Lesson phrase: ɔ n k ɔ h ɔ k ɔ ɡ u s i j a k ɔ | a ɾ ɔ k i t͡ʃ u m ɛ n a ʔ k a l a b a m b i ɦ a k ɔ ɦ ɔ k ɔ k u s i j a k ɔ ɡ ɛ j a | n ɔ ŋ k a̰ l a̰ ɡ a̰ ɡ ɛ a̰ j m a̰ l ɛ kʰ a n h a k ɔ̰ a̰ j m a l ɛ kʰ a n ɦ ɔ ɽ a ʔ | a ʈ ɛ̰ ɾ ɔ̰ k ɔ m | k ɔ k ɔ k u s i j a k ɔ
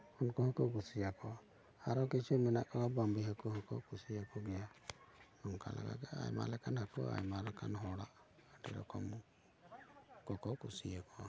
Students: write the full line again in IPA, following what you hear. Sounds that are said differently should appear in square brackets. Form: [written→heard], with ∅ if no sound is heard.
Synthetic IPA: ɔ n k ɔ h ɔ k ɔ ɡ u s i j a k ɔ | a ɾ ɔ k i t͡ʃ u m ɛ n a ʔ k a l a b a m b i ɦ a k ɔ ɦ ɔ k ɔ k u s i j a k ɔ ɡ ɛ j a | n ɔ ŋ k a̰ l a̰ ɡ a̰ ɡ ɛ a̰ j m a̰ l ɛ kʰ a n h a k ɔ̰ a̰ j m a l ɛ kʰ a n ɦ ɔ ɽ a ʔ | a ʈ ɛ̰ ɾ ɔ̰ k ɔ m | k ɔ k ɔ k u s i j a k ɔ